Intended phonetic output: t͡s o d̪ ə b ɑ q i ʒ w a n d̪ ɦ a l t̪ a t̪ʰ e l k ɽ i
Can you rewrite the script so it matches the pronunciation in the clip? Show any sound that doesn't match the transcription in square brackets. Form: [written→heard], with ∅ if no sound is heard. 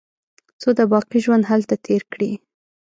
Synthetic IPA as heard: t͡s o d̪ ə b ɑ q i ʒ w a n d̪ ɦ a l t̪ a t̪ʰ e [l→ɾ] k ɽ i